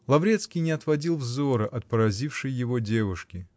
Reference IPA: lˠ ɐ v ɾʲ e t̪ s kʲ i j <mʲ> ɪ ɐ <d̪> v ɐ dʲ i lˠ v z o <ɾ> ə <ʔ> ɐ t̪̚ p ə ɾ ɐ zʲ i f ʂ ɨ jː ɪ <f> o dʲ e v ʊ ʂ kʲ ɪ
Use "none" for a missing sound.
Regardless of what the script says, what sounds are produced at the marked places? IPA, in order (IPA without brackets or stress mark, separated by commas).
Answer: nʲ, t̪, ɾ, ʔ, v